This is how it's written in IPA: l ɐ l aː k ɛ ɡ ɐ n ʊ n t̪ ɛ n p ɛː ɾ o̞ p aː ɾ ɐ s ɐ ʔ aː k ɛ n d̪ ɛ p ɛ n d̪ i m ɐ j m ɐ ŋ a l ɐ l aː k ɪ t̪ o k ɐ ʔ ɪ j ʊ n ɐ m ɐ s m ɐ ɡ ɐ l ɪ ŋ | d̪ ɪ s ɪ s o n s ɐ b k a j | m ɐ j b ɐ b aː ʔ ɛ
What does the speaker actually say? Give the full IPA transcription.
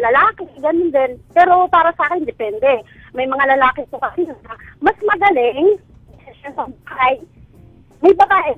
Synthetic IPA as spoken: l ɐ l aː k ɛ ɡ ɐ n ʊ n d̪ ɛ n p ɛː ɾ o̞ p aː ɾ ɐ s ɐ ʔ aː k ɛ n d̪ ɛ p ɛ n d̪ ɛ m ɐ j m ɐ ŋ a l ɐ l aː k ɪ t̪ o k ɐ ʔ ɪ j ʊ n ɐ m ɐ s m ɐ ɡ ɐ l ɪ ŋ | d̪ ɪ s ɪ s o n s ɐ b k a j | m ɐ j b ɐ b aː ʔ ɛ